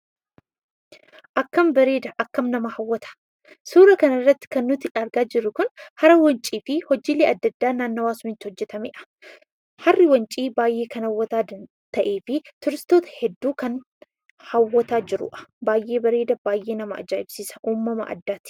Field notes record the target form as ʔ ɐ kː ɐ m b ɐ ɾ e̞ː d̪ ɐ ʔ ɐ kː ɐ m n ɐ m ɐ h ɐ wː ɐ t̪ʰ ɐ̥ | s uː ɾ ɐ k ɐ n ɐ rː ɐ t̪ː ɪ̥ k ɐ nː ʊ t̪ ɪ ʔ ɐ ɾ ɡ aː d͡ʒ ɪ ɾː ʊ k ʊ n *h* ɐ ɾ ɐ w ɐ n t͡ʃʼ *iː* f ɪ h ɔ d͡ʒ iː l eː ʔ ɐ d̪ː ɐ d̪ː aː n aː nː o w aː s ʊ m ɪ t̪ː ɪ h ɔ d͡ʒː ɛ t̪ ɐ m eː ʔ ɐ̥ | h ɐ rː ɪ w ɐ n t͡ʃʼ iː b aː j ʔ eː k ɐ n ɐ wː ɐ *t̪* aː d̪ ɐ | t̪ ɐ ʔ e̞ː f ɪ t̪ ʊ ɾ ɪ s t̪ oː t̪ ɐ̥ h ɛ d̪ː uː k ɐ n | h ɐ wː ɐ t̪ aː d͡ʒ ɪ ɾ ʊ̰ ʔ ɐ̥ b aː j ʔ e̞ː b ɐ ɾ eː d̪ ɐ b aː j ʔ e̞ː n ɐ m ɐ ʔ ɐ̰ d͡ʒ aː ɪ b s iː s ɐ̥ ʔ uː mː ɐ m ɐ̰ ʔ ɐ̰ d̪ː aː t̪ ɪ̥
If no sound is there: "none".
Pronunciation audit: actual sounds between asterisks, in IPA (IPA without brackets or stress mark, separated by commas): h, iː, t̪